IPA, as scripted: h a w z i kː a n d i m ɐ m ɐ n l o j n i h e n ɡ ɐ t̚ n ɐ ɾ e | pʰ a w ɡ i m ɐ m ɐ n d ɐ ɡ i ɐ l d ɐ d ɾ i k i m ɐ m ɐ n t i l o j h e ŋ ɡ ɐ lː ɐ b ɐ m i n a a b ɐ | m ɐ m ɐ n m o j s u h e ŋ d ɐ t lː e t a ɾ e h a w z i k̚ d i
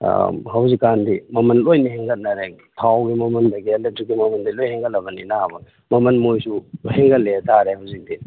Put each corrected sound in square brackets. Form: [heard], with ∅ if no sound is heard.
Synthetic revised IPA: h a w z i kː a n d i m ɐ m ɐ n l o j n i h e [ŋ] ɡ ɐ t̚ n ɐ ɾ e | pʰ a w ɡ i m ɐ m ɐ n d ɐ ɡ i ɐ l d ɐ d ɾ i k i m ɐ m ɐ n [d] i l o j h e ŋ ɡ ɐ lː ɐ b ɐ [n] i n a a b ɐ | m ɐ m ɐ n m o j s u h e ŋ [ɡ] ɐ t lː e t a ɾ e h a w z i k̚ d i

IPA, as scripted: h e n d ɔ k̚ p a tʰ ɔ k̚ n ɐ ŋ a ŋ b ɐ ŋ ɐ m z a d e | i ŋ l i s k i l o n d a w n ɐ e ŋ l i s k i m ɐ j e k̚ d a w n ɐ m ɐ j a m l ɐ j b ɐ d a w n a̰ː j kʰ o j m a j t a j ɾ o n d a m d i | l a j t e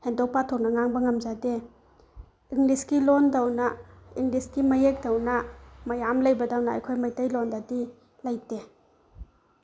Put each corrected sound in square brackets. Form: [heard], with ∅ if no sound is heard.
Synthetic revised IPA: h e n d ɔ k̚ p a tʰ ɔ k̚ n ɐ ŋ a ŋ b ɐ ŋ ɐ m z a d e | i ŋ l i s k i l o n d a w n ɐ [i] ŋ l i s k i m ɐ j e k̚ d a w n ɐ m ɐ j a m l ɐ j b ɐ d a w n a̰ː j kʰ o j m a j t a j [l] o n d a [∅] d i | l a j t e

